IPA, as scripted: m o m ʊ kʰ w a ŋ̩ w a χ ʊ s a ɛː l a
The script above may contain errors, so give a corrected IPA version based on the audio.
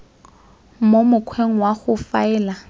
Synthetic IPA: m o m ʊ kʰ w e ŋ̩ w a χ ʊ f a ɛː l a